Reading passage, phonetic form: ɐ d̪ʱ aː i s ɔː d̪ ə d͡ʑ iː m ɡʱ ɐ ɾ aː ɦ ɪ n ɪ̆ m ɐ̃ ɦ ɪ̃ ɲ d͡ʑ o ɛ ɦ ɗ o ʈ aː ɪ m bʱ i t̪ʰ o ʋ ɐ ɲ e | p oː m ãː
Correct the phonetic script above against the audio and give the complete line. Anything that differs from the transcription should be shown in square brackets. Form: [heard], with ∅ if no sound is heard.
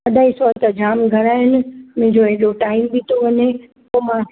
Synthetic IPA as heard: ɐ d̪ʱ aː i s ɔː [t̪] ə d͡ʑ [aː] m ɡʱ ɐ ɾ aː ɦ ɪ n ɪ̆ m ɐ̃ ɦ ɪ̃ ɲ d͡ʑ o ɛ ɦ ɗ o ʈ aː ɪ m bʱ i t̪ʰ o ʋ ɐ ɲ e | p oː m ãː